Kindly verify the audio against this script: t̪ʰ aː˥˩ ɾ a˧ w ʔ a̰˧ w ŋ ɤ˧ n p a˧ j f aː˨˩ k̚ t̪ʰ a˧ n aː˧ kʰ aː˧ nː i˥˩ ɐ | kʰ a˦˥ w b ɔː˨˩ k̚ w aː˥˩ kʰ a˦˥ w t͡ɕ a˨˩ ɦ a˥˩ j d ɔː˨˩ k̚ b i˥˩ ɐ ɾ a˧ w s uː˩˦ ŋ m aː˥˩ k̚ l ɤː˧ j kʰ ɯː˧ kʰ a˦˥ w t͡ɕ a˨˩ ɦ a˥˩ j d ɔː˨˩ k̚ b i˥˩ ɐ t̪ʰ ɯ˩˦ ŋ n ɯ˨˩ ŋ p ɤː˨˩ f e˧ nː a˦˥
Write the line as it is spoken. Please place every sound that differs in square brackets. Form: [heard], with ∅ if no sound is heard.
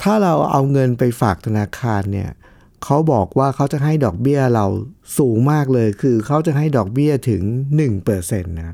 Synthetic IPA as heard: t̪ʰ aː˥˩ ɾ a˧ w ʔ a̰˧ w ŋ ɤ˧ n p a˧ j f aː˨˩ k̚ t̪ʰ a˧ n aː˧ kʰ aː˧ nː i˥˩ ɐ | kʰ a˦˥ w b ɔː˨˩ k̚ w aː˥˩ kʰ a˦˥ w t͡ɕ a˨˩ ɦ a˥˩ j d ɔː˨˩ k̚ b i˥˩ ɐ ɾ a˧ w s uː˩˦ ŋ m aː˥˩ k̚ l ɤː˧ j kʰ ɯː˧ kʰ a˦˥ w t͡ɕ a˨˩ ɦ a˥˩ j d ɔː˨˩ k̚ b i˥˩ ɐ t̪ʰ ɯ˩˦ ŋ n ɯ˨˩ ŋ p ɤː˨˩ [s] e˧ nː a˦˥